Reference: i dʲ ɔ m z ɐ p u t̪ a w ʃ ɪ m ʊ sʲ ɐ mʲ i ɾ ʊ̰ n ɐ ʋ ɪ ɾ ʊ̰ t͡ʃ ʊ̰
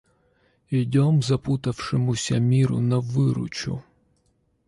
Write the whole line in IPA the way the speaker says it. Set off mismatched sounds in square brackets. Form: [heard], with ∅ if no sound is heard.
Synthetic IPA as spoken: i dʲ ɔ m z ɐ p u t̪ [ɐ] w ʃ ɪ m ʊ sʲ ɐ mʲ i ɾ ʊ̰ n ɐ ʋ ɪ ɾ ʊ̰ t͡ʃ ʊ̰